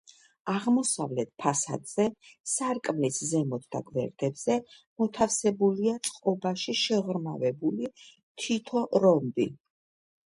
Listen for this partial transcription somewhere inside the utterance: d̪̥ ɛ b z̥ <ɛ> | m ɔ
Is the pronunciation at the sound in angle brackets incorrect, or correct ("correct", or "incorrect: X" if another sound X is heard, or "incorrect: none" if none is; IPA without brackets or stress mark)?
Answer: correct